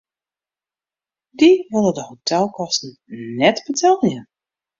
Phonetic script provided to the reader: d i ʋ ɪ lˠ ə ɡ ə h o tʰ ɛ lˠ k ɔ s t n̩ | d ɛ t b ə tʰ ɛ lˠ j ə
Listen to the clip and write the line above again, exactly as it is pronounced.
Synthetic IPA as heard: d i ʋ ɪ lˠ ə d ə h o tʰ ɛ lˠ k ɔ s t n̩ | n ɛ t b ə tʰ ɛ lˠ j ə